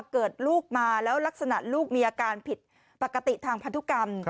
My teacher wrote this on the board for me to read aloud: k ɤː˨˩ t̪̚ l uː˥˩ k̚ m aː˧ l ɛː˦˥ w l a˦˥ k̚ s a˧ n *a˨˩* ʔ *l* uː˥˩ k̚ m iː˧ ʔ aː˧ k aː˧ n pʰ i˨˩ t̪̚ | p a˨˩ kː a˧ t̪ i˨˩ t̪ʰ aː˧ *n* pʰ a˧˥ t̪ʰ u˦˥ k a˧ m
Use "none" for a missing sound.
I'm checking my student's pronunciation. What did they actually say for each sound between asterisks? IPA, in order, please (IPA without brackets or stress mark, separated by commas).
a˨˩, l, ŋ